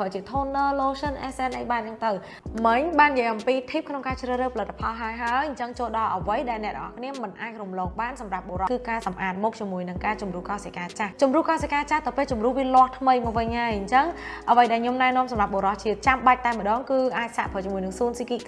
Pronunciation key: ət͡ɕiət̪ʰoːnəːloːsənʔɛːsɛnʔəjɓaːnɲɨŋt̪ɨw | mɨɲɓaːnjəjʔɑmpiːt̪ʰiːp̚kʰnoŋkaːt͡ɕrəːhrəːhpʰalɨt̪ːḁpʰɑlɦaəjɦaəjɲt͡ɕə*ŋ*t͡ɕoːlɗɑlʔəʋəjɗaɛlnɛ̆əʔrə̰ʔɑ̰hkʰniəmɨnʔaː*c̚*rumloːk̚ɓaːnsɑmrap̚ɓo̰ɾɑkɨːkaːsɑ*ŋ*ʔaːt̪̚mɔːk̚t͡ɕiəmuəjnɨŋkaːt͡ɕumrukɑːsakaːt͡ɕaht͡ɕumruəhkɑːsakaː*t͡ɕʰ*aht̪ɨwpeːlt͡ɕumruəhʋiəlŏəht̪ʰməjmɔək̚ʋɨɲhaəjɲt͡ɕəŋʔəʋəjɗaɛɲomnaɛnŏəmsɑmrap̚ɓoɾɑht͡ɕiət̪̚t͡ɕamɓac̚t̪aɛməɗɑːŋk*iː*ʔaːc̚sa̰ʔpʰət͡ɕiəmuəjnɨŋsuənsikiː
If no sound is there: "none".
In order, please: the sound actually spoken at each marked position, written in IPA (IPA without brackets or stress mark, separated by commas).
ŋ, c̚, m, t͡ɕ, ɨː